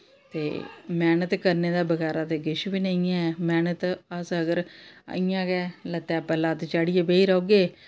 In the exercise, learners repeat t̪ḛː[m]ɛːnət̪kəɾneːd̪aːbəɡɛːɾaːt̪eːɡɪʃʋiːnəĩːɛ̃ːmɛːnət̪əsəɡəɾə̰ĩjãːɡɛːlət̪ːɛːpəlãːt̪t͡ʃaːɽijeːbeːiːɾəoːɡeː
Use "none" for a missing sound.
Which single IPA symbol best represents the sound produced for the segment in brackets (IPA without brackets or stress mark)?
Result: m